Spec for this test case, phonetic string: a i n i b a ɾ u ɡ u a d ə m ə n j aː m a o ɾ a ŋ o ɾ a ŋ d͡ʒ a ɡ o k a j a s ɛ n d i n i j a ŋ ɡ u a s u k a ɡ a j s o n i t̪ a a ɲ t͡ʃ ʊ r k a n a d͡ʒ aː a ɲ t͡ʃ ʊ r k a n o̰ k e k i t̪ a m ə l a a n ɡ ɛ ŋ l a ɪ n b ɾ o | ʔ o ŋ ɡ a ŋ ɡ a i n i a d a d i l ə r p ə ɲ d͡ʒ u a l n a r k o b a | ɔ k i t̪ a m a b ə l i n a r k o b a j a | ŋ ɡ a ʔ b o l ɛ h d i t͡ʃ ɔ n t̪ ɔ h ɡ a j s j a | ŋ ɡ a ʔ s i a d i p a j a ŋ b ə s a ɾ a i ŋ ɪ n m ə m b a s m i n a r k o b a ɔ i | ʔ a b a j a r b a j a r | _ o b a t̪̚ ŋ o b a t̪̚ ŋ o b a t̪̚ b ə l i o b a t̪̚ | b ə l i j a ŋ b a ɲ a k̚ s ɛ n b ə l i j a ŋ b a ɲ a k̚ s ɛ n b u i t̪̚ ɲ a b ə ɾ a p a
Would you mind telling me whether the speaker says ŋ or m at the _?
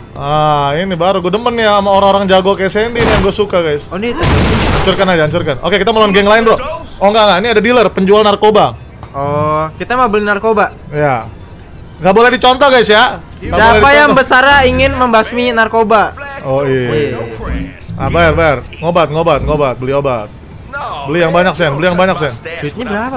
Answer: ŋ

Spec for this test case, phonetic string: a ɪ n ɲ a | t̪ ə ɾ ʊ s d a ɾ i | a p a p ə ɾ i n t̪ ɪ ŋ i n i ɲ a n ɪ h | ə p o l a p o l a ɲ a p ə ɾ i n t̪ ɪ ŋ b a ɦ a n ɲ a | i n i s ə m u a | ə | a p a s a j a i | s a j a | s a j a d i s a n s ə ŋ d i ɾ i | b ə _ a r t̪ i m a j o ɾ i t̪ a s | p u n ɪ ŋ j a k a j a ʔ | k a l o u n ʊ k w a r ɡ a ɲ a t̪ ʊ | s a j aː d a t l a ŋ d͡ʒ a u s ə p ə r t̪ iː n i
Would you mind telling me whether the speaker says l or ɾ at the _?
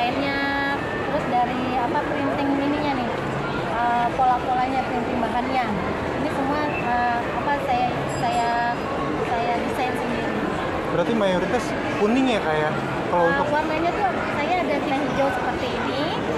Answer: ɾ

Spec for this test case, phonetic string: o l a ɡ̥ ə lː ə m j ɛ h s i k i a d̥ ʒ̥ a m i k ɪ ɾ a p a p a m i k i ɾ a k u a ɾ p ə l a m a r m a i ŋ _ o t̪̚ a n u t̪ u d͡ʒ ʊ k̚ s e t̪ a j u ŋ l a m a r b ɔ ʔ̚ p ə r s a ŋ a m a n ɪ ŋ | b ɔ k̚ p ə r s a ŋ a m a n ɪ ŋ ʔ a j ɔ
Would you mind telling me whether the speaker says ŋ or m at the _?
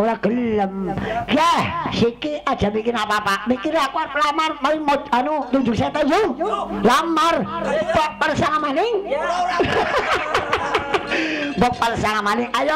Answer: m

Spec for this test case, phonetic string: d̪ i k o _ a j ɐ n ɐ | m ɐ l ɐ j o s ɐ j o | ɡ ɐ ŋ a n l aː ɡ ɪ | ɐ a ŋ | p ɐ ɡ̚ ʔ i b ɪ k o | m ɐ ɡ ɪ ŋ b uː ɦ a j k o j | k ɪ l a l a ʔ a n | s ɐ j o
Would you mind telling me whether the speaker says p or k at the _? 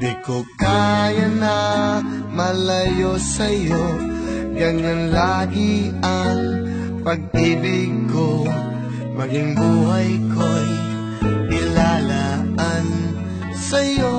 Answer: k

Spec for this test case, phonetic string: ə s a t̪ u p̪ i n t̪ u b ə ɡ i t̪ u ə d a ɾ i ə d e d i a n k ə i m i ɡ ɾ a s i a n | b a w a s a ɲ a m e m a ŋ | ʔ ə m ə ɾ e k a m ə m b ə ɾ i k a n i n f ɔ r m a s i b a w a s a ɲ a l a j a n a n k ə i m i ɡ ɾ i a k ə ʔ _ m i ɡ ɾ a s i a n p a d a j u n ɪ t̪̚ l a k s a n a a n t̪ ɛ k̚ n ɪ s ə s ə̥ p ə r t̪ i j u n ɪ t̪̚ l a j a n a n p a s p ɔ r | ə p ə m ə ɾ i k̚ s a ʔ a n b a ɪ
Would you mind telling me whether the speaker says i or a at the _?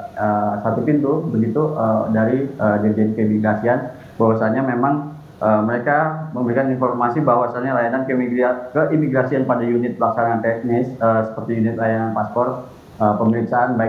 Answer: i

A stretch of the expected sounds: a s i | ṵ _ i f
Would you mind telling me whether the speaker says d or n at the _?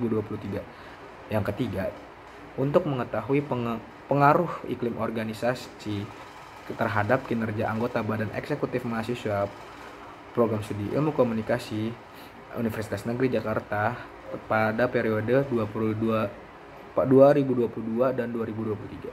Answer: n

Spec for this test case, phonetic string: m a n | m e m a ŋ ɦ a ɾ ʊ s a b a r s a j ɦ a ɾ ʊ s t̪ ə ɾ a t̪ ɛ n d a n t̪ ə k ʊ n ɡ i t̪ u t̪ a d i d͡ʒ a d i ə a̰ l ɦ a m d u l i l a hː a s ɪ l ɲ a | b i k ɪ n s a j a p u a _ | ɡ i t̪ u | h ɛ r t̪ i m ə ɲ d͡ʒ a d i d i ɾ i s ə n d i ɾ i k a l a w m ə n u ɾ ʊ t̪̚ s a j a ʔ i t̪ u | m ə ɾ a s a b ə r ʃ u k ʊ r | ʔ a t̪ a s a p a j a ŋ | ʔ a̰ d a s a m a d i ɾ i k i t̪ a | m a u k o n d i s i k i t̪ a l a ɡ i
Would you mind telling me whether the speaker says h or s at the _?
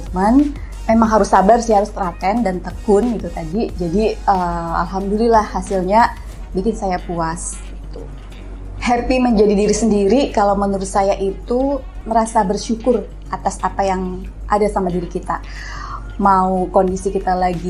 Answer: s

